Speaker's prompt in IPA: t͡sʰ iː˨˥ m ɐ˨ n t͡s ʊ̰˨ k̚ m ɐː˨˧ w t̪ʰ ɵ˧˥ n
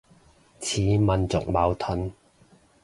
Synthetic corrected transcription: t͡sʰ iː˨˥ m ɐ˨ n t͡s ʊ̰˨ k̚ m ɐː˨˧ w t̪ʰ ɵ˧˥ n